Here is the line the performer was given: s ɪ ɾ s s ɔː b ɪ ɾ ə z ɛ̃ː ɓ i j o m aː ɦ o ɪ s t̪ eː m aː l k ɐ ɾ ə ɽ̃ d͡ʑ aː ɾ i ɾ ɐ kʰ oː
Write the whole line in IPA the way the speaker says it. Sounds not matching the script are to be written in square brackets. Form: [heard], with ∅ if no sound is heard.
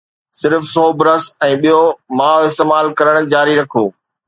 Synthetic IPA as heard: s ɪ ɾ [f] s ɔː b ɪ ɾ ə [s] ɛ̃ː ɓ i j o m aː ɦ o ɪ s t̪ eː m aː l k ɐ ɾ ə ɽ̃ d͡ʑ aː ɾ i ɾ ɐ kʰ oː